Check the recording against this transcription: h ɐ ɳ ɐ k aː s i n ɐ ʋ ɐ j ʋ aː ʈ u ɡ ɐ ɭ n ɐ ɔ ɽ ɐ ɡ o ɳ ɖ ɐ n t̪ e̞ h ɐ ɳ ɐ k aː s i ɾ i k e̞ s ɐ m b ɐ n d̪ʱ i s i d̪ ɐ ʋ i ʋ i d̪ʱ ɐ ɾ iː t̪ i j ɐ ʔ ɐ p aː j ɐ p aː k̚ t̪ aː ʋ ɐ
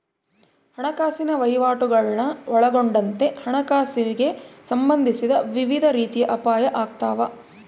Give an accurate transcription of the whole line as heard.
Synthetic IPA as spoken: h ɐ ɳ ɐ k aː s i n ɐ ʋ ɐ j ʋ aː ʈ u ɡ ɐ ɭ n ɐ ɔ ɭ ɐ ɡ o ɳ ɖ ɐ n t̪ e̞ h ɐ ɳ ɐ k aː s i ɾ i ɡ e̞ s ɐ m b ɐ n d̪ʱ i s i d̪ ɐ ʋ i ʋ i d̪ʱ ɐ ɾ iː t̪ i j ɐ ʔ ɐ p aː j ɐ ʔ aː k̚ t̪ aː ʋ ɐ